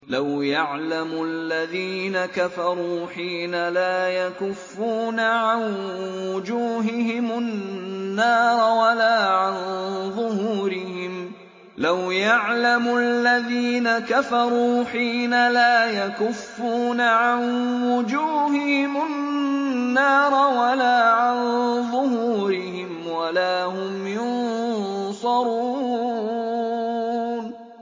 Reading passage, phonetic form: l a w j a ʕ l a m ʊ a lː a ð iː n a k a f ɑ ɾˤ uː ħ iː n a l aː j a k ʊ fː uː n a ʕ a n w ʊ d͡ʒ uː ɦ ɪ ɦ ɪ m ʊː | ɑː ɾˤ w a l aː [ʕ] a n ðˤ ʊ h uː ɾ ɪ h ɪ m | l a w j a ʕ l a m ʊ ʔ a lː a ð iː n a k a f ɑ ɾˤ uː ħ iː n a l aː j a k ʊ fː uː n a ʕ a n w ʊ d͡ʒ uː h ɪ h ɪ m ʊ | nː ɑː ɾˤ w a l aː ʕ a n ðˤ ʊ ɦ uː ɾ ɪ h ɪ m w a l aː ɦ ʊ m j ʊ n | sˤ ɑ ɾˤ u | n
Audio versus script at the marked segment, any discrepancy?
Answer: no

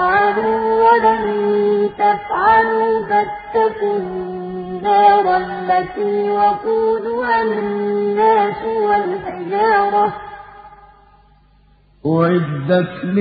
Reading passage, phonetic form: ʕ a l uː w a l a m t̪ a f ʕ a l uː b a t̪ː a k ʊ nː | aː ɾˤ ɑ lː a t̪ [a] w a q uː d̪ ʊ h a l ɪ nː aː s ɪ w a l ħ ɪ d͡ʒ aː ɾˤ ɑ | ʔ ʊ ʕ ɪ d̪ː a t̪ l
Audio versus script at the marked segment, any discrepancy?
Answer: yes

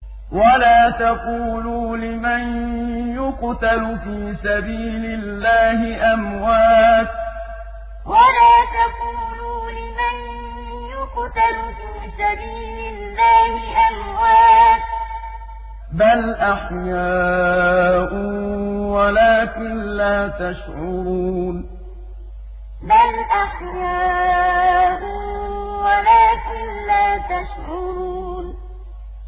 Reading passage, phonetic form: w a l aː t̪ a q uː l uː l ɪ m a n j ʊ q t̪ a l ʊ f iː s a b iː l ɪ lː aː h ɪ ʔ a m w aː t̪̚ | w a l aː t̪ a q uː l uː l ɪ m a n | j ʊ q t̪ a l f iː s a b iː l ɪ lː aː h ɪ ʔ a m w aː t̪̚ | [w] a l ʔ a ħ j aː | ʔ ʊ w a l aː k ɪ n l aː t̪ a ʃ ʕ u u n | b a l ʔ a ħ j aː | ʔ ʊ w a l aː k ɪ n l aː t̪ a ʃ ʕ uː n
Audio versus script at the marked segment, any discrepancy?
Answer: yes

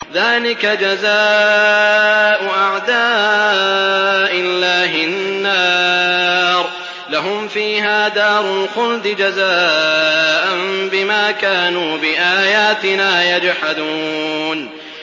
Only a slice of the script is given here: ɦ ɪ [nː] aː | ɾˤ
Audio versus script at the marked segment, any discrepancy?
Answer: no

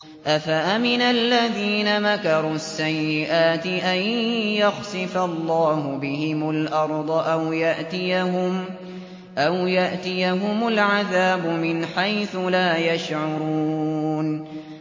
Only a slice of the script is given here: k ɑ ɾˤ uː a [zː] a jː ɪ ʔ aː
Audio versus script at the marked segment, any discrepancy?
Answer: yes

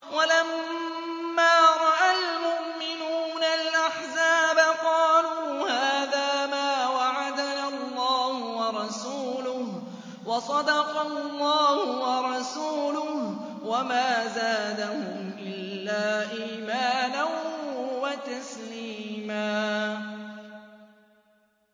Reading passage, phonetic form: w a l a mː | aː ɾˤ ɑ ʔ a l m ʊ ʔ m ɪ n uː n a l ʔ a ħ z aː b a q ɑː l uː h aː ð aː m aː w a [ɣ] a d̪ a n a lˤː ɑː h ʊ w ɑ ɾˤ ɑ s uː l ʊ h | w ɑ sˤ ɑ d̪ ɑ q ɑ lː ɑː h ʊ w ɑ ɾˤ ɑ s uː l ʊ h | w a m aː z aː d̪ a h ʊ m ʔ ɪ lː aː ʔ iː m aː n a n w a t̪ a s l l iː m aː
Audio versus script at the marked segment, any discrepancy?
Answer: yes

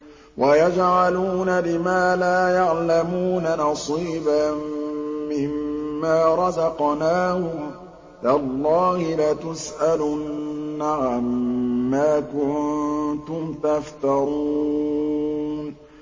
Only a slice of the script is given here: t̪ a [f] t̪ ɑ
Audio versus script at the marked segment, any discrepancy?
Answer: no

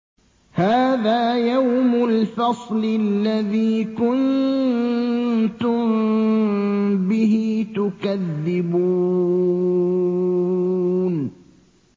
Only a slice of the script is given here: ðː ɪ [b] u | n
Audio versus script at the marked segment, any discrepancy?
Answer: no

